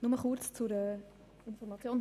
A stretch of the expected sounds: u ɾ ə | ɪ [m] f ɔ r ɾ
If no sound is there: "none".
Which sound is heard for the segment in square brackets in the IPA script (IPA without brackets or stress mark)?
n